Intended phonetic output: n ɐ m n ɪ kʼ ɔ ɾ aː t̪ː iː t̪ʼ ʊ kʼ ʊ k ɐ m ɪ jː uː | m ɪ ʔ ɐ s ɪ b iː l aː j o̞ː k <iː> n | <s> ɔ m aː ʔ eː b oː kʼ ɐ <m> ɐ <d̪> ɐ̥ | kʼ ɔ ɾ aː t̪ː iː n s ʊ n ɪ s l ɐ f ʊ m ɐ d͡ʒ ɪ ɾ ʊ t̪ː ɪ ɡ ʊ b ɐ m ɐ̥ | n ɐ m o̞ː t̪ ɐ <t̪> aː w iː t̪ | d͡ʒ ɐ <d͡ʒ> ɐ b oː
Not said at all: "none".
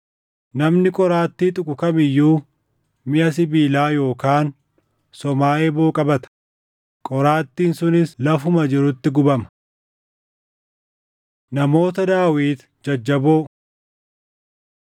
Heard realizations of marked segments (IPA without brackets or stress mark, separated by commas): aː, s, b, t̪, d̪, d͡ʒː